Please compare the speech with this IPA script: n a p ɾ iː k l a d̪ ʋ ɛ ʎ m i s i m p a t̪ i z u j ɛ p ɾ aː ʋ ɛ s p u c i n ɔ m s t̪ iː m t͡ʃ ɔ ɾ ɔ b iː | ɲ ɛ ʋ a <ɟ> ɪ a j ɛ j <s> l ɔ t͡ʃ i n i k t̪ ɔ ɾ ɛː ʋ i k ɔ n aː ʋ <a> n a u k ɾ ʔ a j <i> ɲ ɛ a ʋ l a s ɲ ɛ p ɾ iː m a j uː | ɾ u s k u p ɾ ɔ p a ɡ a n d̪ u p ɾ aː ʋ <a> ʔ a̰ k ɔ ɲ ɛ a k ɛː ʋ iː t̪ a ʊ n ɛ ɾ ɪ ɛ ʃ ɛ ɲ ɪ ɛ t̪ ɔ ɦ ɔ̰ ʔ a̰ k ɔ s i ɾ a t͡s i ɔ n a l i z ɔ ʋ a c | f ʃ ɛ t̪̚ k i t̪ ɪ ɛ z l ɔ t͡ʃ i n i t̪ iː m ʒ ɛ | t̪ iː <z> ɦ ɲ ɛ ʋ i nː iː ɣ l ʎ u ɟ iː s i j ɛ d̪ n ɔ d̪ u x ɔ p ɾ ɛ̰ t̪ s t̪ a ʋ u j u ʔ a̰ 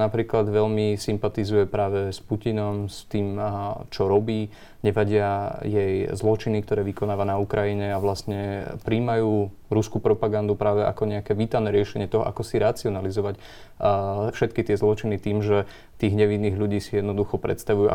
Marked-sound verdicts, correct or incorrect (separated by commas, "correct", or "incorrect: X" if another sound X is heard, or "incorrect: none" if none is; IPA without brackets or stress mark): correct, incorrect: z, correct, correct, incorrect: ɛ, incorrect: ɣ